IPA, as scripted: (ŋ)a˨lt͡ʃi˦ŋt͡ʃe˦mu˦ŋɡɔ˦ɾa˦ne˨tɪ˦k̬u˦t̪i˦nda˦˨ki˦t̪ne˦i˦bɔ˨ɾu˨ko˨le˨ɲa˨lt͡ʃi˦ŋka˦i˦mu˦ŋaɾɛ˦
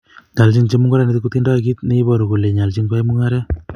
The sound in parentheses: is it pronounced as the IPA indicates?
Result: no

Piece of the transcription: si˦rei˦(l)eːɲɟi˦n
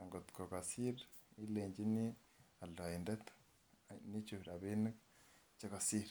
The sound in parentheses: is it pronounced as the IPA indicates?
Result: yes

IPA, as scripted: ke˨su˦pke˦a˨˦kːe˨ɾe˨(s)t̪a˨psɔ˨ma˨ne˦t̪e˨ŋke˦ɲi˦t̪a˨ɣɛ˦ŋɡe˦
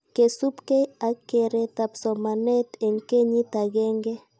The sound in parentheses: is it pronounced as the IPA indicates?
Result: no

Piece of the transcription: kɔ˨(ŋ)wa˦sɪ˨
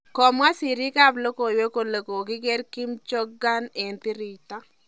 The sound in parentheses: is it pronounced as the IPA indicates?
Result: no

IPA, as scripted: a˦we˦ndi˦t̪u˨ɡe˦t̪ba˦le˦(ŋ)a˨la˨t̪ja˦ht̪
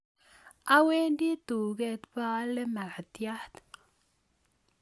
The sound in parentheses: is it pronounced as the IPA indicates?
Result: no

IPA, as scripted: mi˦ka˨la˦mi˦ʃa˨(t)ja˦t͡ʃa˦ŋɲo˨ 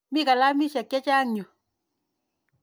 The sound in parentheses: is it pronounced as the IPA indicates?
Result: no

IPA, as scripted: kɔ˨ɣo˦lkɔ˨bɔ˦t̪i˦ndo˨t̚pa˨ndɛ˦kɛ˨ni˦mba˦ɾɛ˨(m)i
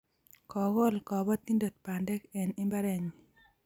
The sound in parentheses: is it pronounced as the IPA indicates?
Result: no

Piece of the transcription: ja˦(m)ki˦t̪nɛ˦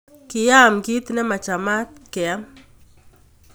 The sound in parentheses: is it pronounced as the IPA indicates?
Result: yes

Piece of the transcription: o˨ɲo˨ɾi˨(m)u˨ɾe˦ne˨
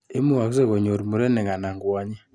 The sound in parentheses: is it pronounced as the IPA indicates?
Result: yes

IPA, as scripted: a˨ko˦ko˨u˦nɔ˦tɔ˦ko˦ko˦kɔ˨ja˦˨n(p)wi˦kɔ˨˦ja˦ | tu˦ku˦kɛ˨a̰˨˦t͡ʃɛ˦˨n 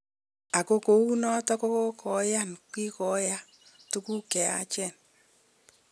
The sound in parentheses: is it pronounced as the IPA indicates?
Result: no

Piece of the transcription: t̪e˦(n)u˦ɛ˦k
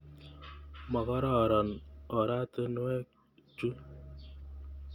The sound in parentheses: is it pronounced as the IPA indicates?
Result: yes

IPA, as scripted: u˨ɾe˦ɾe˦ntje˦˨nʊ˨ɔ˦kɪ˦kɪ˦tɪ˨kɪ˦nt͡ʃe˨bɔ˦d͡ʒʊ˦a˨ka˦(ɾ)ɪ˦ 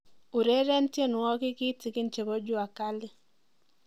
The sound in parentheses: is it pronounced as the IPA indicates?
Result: no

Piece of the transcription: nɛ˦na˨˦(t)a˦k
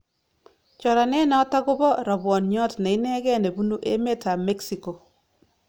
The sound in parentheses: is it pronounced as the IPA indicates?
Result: yes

